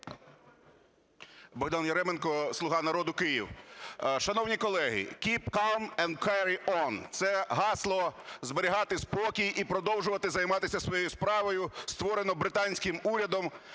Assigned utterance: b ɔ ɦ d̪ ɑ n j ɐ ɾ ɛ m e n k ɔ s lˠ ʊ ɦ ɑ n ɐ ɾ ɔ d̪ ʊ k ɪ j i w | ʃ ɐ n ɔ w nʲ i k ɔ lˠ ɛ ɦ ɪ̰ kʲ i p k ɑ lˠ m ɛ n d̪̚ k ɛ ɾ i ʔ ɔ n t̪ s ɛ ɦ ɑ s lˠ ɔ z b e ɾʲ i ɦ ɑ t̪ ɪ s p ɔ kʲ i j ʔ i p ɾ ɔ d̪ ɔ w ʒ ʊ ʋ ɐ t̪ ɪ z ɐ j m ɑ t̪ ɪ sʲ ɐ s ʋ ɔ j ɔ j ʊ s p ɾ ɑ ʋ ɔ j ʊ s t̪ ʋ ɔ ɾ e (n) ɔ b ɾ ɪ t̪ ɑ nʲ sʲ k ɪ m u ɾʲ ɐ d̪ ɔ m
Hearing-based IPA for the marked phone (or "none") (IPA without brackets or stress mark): n